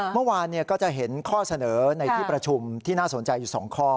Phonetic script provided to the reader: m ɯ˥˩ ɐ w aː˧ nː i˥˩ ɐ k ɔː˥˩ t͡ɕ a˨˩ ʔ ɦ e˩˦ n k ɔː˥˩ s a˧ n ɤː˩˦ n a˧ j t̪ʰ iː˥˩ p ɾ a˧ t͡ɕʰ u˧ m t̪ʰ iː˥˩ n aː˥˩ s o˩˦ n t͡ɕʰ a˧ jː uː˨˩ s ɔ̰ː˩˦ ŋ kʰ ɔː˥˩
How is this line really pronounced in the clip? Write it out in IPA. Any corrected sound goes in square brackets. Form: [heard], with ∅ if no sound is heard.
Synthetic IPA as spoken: m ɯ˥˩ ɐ w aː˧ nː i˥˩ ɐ k ɔː˥˩ t͡ɕ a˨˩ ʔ ɦ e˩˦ n [kʰ] ɔː˥˩ s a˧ n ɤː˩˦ n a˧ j t̪ʰ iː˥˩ p ɾ a˧ t͡ɕʰ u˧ m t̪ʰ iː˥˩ n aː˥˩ s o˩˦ n [t͡ɕ] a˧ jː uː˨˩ s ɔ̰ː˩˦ ŋ kʰ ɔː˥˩